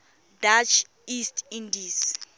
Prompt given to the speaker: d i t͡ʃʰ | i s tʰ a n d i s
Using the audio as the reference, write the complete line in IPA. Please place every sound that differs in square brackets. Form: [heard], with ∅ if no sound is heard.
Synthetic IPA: d [a] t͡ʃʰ | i s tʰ [i] n d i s